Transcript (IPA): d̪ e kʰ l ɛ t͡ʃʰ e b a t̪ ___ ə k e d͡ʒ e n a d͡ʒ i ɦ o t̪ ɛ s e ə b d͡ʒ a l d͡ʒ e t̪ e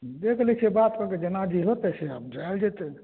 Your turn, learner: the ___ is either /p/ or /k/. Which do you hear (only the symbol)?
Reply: k